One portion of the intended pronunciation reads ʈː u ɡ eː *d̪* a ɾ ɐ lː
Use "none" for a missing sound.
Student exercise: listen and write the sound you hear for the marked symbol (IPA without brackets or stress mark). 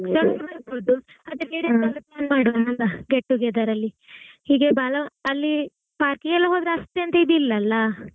d̪